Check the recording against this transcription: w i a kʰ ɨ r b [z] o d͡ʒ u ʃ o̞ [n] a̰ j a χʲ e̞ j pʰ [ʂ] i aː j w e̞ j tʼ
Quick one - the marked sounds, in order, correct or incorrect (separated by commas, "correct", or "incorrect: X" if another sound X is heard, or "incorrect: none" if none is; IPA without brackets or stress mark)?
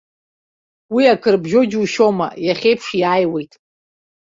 incorrect: ʒ, incorrect: m, correct